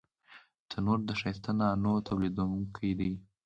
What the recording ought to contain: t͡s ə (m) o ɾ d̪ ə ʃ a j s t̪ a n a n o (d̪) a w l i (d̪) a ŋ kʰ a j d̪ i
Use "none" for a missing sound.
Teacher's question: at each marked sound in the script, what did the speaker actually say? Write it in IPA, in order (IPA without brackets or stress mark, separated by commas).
n, t̪, d̪